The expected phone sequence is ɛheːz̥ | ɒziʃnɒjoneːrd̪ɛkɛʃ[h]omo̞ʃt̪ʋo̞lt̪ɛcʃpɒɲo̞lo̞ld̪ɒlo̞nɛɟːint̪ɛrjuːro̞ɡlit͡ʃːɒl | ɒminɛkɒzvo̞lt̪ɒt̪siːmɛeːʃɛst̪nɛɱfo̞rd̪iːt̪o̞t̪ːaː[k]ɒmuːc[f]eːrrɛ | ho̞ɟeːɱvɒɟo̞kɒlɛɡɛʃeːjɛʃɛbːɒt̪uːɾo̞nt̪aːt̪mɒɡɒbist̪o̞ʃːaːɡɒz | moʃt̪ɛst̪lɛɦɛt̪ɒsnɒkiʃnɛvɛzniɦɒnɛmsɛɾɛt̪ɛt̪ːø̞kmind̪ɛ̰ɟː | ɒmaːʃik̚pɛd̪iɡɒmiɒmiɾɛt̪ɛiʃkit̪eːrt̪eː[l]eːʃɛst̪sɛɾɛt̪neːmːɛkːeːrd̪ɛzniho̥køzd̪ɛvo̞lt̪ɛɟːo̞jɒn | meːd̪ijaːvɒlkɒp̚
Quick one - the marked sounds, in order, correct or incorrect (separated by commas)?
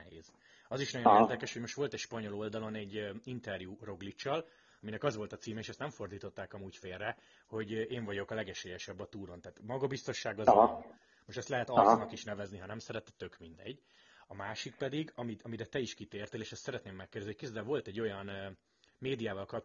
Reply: correct, correct, correct, correct